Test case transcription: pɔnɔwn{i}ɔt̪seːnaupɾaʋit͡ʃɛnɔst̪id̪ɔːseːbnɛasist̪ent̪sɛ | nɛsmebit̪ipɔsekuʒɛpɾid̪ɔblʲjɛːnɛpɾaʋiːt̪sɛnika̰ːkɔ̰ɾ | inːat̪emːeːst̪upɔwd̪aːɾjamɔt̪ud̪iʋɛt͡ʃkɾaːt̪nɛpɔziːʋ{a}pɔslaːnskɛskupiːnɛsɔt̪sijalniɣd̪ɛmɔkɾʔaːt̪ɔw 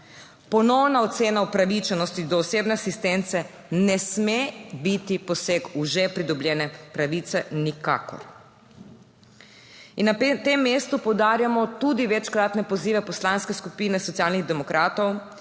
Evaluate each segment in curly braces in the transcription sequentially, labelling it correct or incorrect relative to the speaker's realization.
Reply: incorrect: a, incorrect: ɛ

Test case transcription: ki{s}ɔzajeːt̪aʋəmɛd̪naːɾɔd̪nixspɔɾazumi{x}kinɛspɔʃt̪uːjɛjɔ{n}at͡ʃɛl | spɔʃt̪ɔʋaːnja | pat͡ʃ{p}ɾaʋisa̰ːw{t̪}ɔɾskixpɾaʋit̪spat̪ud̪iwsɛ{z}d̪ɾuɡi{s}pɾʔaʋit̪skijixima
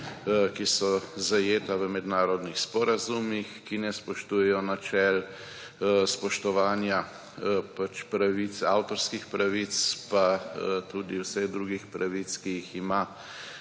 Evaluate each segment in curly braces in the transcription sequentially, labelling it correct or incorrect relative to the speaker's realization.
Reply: correct, correct, correct, correct, correct, incorrect: ɣ, incorrect: x

